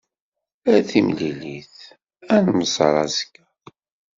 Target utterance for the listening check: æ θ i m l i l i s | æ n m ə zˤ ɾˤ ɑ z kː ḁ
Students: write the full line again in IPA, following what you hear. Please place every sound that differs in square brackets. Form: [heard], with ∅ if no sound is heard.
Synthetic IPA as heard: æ θ i m l i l i [θ] | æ n m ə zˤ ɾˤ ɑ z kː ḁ